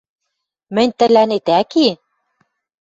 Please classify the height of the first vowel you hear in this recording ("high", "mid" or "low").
mid